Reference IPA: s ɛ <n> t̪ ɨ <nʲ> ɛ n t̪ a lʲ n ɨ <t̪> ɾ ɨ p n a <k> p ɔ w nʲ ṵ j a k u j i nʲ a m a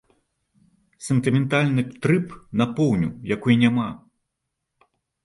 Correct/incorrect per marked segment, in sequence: correct, incorrect: mʲ, correct, incorrect: none

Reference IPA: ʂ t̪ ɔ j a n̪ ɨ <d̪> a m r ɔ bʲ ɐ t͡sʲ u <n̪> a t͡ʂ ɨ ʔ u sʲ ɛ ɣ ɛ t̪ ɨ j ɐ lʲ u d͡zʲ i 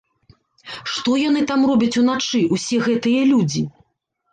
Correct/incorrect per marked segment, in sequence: incorrect: t̪, correct

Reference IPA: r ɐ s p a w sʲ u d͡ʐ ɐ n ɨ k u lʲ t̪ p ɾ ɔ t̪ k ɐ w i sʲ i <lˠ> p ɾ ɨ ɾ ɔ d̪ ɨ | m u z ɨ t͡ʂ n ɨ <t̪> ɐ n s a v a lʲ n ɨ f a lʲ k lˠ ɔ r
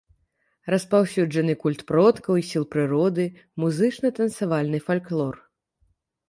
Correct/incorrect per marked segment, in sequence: correct, correct

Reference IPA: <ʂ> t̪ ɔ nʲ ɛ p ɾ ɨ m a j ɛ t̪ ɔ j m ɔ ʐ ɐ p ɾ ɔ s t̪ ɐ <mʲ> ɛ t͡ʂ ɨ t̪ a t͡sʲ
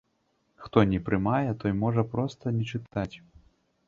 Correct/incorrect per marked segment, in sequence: incorrect: x, incorrect: nʲ

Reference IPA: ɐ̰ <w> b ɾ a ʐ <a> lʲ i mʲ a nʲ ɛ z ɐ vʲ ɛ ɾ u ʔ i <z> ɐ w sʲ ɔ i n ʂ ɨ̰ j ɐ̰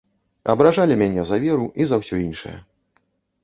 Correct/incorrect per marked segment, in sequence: incorrect: none, correct, correct

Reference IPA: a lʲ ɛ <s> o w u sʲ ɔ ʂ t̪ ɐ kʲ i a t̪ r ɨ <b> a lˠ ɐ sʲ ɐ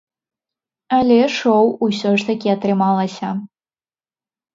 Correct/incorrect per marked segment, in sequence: incorrect: ʂ, incorrect: m

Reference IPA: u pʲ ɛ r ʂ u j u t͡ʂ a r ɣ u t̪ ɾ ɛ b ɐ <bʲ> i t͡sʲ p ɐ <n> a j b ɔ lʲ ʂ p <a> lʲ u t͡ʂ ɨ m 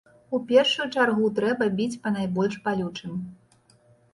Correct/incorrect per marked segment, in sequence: correct, correct, correct

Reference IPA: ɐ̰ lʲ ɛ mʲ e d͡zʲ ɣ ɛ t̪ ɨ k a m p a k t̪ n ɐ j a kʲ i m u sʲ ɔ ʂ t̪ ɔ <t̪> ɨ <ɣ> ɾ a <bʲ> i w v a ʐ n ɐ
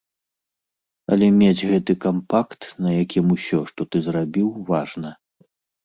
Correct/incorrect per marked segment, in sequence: correct, incorrect: z, correct

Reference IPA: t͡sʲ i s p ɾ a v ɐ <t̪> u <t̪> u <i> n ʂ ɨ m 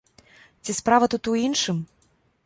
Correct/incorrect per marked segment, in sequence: correct, correct, correct

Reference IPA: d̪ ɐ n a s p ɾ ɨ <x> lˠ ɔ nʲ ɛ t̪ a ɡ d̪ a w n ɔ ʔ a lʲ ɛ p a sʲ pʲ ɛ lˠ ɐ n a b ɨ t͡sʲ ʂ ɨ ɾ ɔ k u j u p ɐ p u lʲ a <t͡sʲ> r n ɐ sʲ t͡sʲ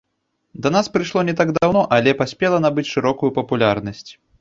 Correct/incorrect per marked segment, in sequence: incorrect: ʂ, incorrect: none

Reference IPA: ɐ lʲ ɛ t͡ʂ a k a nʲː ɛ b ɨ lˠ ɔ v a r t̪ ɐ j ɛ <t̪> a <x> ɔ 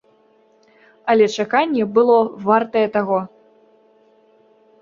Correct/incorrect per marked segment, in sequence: correct, incorrect: ɣ

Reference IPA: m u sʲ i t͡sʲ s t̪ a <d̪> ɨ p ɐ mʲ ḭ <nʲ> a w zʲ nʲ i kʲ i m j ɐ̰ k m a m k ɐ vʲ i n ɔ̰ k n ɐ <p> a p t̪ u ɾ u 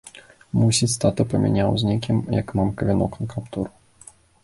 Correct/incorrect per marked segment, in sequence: incorrect: t̪, correct, incorrect: k

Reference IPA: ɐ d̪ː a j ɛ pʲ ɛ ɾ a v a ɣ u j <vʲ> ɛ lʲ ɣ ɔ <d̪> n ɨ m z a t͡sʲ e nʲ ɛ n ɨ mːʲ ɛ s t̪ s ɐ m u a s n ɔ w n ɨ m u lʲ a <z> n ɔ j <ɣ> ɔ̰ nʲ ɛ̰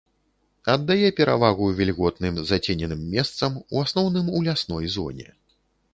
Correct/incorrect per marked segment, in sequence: correct, incorrect: t̪, incorrect: s, incorrect: z

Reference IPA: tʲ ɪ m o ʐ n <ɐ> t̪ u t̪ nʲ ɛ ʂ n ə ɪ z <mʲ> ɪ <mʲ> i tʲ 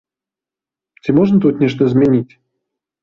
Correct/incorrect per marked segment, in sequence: incorrect: ə, correct, incorrect: nʲ

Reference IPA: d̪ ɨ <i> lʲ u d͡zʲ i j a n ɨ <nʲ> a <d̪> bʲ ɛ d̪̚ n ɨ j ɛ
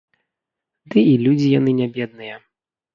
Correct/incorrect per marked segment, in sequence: correct, correct, incorrect: none

